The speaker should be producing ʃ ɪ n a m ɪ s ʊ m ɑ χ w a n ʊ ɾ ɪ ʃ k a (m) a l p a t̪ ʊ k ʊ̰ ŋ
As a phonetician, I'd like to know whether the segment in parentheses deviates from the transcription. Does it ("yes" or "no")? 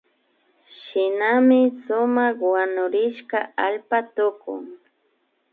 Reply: yes